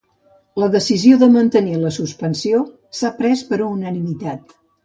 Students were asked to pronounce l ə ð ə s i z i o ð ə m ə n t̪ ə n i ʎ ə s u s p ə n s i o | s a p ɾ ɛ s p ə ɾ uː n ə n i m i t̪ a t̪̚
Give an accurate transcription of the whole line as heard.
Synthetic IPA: l ə ð ə s i z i o ð ə m ə n t̪ ə n i l ə s u s p ə n s i o | s a p ɾ ɛ s p ə ɾ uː n ə n i m i t̪ a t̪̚